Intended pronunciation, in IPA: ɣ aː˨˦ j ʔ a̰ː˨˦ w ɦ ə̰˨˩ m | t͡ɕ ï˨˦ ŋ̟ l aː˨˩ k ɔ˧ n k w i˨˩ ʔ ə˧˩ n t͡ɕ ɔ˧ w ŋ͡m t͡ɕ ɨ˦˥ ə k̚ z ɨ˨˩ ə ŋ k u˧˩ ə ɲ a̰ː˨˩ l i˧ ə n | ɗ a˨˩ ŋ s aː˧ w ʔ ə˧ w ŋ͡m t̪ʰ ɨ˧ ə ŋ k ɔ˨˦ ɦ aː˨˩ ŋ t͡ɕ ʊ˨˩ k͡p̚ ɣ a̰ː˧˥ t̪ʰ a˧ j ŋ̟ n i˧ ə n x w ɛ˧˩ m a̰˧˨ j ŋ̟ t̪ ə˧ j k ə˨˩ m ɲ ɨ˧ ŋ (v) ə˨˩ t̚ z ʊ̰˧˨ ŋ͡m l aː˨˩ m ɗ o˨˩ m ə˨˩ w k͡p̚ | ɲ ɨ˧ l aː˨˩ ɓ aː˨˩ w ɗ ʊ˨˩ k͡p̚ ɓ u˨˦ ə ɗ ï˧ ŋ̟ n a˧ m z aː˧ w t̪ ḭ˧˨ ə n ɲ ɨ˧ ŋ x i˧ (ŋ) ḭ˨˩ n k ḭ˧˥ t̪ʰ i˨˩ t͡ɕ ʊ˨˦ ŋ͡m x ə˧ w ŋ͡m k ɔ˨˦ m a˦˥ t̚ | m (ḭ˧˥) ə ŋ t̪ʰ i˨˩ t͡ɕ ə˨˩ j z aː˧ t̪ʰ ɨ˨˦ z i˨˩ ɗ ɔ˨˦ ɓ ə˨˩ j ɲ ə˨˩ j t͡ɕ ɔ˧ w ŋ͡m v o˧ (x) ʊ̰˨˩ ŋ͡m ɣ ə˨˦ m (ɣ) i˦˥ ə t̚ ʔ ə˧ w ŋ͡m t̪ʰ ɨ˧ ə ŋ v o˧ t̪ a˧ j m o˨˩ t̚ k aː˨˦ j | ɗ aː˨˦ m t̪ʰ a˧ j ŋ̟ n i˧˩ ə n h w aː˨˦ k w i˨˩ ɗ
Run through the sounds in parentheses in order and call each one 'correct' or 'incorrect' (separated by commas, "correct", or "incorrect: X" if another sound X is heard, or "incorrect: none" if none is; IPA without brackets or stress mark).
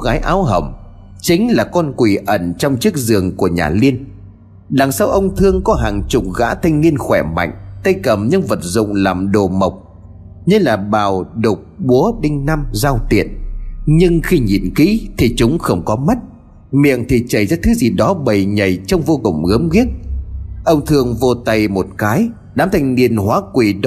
correct, incorrect: ɲ, incorrect: ḭ˧˨, incorrect: k, correct